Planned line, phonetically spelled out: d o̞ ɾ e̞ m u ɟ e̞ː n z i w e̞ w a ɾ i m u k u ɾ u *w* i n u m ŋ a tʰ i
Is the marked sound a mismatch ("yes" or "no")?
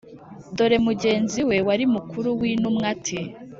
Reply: no